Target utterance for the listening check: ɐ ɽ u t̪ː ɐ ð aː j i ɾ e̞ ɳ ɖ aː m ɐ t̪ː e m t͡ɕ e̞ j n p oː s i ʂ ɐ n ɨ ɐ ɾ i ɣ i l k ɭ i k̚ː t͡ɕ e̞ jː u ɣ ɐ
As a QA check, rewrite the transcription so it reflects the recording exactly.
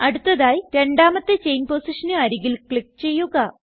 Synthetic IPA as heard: ɐ ɽ u t̪ː ɐ ð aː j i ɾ e̞ ɳ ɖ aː m ɐ t̪ː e t͡ɕ e̞ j n p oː s i ʂ ɐ n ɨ ɐ ɾ i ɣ i l k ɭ i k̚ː t͡ɕ e̞ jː u ɣ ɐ